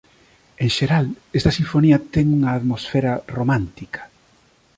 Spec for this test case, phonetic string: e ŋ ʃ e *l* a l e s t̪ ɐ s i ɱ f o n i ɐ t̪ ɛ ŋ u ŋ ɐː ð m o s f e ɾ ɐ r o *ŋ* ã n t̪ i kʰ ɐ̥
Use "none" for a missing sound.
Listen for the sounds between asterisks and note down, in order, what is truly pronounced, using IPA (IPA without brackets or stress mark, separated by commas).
ɾ, m